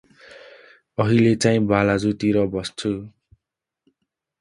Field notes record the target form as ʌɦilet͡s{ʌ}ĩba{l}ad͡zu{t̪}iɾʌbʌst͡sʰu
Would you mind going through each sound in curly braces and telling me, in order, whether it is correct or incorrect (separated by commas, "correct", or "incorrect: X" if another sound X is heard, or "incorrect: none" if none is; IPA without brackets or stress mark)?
incorrect: a, correct, correct